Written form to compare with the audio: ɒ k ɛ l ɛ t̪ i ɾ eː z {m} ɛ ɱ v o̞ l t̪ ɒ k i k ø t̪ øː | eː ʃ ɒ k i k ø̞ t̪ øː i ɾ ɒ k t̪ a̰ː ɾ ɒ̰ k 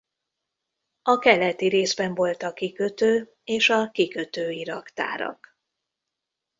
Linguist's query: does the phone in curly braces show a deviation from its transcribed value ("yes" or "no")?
yes